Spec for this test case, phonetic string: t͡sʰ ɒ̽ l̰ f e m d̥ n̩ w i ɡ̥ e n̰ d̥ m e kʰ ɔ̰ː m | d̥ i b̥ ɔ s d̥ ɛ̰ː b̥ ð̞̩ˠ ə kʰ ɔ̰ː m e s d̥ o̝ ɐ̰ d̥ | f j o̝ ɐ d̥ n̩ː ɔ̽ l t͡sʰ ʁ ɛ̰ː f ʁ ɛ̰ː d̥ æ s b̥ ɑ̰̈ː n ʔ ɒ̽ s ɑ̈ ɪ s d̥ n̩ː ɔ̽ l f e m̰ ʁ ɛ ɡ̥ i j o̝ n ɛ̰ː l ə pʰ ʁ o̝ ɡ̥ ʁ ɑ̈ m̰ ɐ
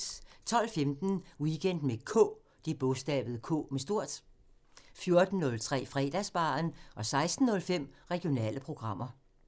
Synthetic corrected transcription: t͡sʰ ɒ̽ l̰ f e m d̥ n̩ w i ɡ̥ e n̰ d̥ m e kʰ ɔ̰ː | d̥ i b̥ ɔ s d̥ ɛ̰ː b̥ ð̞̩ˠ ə kʰ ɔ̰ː m e s d̥ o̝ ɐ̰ d̥ | f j o̝ ɐ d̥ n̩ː ɔ̽ l t͡sʰ ʁ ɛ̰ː f ʁ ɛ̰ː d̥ æ s b̥ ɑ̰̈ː n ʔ ɒ̽ s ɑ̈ ɪ s d̥ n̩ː ɔ̽ l f e m̰ ʁ ɛ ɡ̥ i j o̝ n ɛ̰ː l ə pʰ ʁ o̝ ɡ̥ ʁ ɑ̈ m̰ ɐ